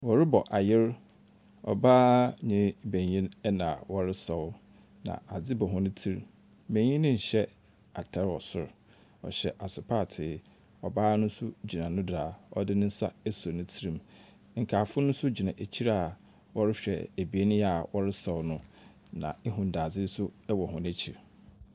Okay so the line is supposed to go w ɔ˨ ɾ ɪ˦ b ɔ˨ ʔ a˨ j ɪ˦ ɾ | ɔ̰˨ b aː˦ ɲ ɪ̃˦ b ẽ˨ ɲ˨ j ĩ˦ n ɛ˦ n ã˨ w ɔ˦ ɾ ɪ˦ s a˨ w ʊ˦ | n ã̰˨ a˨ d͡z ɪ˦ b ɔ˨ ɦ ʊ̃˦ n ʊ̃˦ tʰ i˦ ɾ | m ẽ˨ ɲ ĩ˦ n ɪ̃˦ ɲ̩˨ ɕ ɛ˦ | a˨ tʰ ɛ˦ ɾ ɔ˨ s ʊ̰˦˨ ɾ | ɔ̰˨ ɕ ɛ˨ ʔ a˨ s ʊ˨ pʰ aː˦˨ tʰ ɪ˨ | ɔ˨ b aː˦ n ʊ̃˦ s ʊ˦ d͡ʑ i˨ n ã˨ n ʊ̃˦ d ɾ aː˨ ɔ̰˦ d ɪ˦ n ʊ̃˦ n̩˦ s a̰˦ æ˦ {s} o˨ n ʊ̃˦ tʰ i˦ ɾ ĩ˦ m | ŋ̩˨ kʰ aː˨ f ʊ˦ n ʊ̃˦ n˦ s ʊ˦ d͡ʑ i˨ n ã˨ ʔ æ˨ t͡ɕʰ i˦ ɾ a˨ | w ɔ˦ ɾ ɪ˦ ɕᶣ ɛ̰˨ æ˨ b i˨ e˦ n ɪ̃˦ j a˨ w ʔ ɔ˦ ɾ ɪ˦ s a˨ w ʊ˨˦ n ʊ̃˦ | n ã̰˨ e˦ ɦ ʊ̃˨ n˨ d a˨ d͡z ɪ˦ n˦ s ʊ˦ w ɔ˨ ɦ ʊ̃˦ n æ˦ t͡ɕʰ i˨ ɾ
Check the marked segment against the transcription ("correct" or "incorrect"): correct